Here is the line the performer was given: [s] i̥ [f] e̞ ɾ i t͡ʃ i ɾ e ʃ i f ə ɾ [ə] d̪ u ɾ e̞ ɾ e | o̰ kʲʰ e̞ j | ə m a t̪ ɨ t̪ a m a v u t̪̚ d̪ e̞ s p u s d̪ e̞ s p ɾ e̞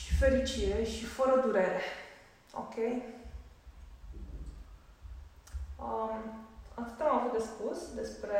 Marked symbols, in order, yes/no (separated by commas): no, yes, yes